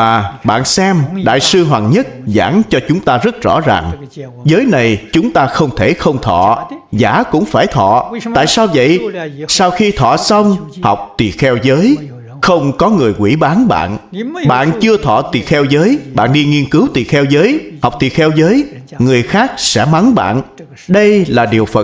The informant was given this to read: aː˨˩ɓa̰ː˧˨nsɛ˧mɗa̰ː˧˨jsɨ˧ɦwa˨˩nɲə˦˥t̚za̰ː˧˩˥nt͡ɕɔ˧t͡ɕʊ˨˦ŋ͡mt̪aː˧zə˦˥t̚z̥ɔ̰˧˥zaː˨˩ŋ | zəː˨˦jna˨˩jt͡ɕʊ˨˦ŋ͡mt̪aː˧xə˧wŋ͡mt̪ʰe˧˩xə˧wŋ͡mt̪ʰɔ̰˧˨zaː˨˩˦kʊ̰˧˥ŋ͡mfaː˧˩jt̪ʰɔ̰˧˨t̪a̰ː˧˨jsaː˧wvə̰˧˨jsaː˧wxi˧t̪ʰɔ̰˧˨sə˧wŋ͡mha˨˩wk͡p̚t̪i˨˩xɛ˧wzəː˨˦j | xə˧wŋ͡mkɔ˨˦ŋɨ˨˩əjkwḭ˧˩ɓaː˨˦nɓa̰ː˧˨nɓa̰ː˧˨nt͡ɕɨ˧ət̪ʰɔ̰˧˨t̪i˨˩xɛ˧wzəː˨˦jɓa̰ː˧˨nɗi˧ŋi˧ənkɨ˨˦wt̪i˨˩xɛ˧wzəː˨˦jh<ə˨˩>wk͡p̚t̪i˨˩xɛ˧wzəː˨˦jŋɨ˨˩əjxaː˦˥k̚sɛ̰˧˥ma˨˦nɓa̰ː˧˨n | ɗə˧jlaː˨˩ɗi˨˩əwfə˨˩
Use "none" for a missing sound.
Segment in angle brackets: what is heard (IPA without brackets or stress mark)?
a˨˩